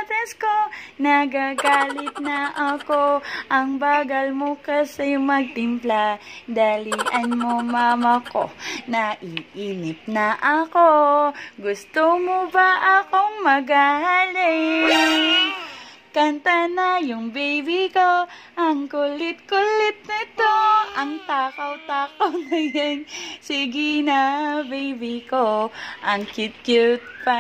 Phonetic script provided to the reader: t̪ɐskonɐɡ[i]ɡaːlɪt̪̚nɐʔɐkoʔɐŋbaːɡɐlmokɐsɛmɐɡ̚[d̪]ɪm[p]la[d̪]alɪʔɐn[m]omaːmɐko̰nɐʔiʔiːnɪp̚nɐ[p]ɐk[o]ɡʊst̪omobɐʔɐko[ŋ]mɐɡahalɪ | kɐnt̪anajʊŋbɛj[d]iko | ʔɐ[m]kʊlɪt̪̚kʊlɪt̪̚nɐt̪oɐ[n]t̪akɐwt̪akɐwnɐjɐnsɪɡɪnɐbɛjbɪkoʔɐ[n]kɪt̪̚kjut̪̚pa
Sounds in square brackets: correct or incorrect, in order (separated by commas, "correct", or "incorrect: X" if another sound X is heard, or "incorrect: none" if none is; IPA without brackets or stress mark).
incorrect: a, incorrect: t̪, correct, correct, correct, incorrect: ʔ, correct, correct, incorrect: b, incorrect: ŋ, incorrect: ŋ, incorrect: ŋ